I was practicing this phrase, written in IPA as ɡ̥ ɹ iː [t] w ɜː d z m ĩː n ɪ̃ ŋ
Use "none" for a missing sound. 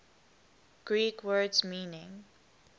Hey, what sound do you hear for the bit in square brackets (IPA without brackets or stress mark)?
k